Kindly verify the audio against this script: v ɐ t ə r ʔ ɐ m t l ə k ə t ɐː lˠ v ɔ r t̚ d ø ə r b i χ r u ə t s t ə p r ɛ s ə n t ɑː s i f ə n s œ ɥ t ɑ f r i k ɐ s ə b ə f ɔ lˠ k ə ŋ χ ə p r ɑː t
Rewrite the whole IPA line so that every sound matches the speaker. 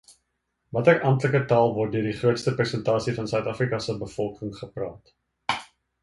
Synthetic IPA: v ɐ t ə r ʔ ɐ m t l ə k ə t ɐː lˠ v ɔ r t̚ d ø ə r d i χ r u ə t s t ə p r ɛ s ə n t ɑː s i f ɐ n s œ ɥ t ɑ f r i k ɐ s ə b ə f ɔ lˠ k ə ŋ χ ə p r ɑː t